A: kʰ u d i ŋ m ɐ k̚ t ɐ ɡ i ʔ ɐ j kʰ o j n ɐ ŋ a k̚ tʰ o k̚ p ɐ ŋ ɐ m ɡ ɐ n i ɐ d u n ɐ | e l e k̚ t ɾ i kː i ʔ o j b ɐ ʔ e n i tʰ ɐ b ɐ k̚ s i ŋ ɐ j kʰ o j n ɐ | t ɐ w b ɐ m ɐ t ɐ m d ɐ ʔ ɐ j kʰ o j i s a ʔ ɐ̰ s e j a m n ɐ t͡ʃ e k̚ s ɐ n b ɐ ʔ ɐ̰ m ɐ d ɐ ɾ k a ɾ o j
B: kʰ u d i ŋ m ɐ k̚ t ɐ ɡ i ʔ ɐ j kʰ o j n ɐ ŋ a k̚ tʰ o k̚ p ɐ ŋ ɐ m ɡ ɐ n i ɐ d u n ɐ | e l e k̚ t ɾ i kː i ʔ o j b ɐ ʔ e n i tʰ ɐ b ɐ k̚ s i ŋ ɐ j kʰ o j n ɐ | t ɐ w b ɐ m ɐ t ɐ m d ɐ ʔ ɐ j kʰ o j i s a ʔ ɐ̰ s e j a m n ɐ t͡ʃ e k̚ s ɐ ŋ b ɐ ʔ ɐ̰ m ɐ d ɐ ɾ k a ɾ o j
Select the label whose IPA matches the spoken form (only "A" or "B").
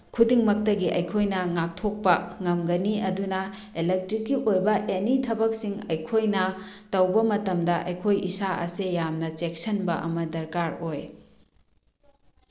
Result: A